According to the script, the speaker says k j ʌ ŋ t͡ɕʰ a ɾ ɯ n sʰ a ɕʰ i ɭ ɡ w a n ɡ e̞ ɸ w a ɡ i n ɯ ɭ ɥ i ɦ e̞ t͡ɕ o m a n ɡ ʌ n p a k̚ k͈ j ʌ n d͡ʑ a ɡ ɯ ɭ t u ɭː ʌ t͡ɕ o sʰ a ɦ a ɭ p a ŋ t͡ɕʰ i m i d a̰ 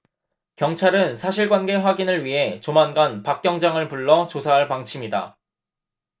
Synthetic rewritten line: k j ʌ ŋ t͡ɕʰ a ɾ ɯ n sʰ a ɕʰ i ɭ ɡ w a n ɡ e̞ ɸ w a ɡ i n ɯ ɭ ɥ i ɦ e̞ t͡ɕ o m a n ɡ a n p a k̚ k͈ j ʌ ŋ d͡ʑ a ŋ ɯ ɭ p u ɭː ʌ t͡ɕ o sʰ a ɦ a ɭ p a ŋ t͡ɕʰ i m i d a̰